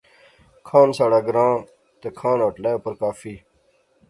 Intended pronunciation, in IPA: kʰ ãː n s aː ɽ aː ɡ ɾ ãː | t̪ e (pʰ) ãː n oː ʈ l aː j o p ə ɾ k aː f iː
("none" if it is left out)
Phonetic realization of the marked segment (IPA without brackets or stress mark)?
kʰ